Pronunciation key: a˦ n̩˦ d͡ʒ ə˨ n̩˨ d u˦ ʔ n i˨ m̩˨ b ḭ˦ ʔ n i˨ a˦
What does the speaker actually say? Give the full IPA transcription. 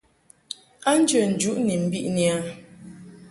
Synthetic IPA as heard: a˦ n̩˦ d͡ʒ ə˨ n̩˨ d͡ʒ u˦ ʔ n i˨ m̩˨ b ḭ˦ ʔ n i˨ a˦

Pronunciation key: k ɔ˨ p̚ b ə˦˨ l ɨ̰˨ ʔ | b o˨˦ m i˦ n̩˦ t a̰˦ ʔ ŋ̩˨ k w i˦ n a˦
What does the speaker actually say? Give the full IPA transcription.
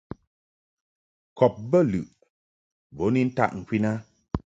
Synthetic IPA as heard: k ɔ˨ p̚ b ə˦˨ l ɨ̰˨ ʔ | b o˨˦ n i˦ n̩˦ t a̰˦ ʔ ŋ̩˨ k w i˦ n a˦

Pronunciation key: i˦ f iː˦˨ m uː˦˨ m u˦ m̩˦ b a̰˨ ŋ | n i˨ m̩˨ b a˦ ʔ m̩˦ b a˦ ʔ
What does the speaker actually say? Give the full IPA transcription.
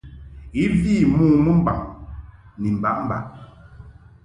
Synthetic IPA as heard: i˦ v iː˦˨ m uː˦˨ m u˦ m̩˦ b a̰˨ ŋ | n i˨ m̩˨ b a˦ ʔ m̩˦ b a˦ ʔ

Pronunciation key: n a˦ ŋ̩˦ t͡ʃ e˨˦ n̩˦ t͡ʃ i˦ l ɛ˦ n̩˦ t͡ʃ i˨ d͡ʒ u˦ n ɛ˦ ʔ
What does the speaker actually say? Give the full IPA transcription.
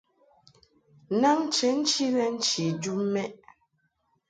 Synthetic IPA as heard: n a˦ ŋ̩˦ t͡ʃ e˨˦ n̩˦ t͡ʃ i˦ l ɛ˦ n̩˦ t͡ʃ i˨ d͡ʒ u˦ m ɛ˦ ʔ

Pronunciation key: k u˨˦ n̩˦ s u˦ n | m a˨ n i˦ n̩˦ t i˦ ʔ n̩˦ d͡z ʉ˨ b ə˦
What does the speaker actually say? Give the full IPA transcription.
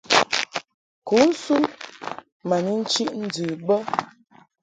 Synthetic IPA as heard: k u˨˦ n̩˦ s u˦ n | m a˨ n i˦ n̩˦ t͡ʃ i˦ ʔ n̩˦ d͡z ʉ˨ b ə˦

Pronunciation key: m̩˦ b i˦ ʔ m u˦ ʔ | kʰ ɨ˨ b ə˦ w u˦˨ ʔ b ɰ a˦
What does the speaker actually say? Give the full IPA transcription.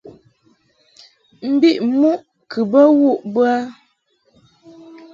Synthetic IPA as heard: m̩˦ b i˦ ʔ m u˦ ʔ | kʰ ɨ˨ b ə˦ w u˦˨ ʔ b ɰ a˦

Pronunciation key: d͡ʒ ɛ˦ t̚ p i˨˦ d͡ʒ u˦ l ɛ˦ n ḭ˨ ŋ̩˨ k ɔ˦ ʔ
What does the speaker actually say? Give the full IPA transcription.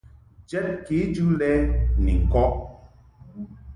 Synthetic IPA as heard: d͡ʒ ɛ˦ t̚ k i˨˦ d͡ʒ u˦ l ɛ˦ n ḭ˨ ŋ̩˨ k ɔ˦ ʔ

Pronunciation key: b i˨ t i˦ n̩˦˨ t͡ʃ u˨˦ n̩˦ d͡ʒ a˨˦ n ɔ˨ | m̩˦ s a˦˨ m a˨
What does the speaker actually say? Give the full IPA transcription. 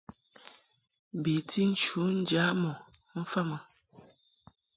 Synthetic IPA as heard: b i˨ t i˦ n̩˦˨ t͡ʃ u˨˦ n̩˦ d͡ʒ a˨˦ m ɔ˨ | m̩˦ f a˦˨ m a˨

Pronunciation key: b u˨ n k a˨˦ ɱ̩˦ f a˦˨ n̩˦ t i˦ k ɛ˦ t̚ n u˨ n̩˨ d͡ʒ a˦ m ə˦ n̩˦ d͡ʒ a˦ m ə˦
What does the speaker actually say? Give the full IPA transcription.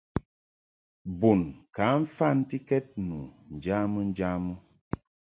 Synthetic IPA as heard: b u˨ n k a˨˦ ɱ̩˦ f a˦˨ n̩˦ t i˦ k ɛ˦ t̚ n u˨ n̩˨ d͡ʒ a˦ m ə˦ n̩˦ d͡ʒ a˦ m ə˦

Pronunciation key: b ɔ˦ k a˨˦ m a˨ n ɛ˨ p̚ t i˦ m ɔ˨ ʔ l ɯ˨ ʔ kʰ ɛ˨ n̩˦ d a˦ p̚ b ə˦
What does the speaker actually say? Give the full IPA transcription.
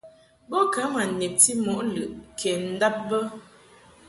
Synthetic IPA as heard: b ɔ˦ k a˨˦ m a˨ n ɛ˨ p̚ t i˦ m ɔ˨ ʔ l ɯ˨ ʔ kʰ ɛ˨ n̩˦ d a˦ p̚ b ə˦

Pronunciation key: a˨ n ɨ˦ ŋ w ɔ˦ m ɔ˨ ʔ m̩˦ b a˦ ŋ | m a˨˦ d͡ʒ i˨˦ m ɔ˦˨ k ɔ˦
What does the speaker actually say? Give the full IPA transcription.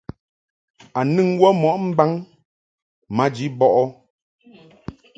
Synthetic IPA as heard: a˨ n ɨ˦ ŋ w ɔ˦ m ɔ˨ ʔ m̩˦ b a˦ ŋ | m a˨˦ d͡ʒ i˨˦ b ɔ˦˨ ʔ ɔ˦

